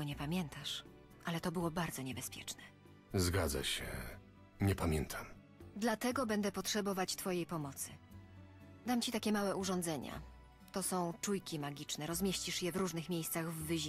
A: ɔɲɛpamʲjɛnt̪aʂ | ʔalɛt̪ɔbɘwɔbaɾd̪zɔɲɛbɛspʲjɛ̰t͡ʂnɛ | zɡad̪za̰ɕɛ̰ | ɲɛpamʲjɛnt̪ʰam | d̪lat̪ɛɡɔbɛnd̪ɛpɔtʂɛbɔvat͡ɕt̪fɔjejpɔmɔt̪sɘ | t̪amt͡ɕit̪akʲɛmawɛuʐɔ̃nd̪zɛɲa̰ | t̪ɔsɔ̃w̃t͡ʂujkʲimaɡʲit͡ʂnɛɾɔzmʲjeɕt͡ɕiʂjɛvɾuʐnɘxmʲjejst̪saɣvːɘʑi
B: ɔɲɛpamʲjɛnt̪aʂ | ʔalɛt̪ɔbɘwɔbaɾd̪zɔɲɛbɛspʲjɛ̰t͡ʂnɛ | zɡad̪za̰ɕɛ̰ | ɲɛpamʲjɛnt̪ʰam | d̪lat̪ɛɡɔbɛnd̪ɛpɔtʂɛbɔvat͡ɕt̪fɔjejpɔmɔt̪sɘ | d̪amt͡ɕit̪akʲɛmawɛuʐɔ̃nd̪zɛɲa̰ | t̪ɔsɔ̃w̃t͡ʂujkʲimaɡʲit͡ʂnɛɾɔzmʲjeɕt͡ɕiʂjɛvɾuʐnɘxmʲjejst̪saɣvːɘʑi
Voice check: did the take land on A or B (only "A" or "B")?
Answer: B